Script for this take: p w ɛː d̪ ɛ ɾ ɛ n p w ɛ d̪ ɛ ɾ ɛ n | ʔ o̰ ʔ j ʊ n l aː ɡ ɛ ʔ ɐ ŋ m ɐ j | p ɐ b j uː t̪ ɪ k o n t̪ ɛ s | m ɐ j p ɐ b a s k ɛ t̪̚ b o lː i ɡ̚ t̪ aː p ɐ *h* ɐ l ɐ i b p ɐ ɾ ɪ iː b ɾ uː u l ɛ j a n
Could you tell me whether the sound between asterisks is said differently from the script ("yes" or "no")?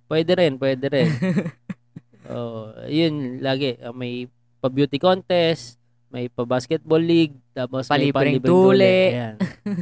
yes